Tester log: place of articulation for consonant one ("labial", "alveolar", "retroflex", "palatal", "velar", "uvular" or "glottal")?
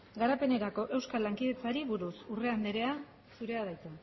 velar